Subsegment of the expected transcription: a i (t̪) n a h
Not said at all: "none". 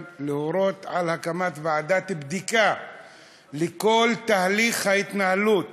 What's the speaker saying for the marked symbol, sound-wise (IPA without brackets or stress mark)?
t̪